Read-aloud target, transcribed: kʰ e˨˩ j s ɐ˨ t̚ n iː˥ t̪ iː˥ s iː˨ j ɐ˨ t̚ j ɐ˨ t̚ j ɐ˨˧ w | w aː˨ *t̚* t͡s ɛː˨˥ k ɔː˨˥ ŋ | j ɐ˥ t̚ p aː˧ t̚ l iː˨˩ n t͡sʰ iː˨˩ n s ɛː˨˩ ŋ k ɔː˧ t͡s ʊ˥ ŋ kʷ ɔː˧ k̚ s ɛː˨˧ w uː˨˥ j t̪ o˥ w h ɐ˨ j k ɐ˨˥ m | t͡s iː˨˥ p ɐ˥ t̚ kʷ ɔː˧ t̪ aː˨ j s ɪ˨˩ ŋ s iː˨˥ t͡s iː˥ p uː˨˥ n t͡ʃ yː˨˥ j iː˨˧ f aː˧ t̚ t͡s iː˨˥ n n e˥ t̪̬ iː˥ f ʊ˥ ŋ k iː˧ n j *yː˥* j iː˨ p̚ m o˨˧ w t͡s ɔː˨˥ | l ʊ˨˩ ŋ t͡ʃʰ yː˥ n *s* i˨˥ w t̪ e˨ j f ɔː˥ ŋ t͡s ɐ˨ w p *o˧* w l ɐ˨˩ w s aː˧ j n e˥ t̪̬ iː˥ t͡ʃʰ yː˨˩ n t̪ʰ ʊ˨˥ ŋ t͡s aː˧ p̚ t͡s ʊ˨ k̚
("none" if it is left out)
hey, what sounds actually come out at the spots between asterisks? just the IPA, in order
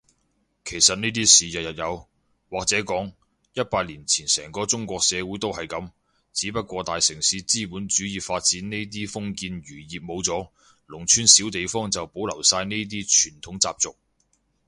k̚, yː˨˩, s, o˨˥

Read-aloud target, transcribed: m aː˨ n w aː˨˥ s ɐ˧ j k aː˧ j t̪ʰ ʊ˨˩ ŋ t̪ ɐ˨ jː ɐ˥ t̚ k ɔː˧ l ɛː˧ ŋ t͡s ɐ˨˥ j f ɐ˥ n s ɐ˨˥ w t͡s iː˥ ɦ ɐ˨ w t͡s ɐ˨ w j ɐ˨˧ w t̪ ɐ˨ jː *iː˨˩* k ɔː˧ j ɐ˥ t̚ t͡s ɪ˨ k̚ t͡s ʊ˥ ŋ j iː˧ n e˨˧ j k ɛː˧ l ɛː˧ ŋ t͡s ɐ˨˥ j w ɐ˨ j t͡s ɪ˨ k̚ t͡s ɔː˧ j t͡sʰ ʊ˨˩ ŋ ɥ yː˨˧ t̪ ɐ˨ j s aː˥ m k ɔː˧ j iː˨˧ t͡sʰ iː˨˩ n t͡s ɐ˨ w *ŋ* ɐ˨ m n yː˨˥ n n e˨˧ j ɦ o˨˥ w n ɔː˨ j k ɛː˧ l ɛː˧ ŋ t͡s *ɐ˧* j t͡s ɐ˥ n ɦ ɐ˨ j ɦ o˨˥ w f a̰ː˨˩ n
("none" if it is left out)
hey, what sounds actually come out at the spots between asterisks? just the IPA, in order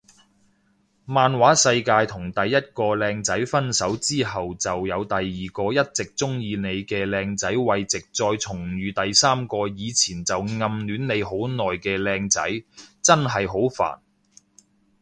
iː˨˩, ŋ, ɐ˨˥

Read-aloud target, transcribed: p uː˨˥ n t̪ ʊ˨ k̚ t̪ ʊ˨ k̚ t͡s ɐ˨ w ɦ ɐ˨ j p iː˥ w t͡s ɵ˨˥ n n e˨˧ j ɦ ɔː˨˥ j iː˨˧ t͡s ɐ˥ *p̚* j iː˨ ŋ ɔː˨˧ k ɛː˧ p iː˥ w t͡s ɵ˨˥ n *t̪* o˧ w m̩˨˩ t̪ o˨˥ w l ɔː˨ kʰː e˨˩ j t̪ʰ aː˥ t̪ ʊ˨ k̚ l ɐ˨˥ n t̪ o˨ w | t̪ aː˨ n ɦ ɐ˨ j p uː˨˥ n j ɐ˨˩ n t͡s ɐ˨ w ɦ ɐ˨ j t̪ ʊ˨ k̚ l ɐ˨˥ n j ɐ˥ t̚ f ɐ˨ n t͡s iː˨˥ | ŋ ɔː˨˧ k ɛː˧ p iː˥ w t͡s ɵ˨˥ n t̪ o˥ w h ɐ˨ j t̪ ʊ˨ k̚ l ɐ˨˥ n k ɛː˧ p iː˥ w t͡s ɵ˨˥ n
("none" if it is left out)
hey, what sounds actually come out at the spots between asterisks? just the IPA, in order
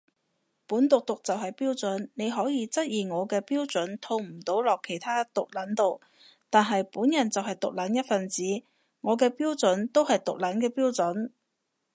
t̚, t̪ʰ

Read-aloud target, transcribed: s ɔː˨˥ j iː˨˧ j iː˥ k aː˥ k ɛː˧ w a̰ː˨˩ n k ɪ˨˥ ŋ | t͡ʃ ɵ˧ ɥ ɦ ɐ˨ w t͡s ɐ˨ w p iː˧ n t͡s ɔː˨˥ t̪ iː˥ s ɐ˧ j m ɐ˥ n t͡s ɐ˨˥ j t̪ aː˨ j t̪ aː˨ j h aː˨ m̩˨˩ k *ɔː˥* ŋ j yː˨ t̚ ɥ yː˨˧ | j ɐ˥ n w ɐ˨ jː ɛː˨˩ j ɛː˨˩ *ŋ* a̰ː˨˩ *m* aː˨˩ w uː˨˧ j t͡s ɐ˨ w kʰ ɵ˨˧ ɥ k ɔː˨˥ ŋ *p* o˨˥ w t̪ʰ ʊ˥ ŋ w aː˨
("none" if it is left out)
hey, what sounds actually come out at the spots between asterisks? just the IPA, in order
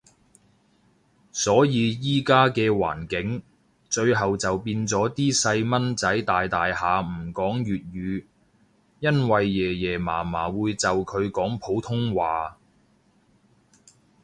ɔː˨˥, m, m, pʰ

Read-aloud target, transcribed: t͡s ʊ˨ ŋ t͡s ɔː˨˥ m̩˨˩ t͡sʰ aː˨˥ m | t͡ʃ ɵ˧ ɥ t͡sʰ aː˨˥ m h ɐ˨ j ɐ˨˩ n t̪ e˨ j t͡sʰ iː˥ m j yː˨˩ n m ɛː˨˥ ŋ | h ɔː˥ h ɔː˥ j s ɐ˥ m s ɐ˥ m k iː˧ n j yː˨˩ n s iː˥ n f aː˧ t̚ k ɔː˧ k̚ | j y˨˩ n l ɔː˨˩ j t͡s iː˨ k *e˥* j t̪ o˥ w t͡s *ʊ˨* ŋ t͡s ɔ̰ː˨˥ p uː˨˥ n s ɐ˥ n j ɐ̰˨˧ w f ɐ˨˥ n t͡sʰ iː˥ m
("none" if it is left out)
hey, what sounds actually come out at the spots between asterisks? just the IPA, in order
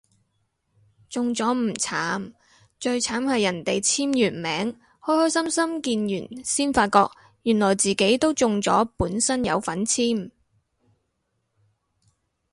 e˨˥, ʊ˨

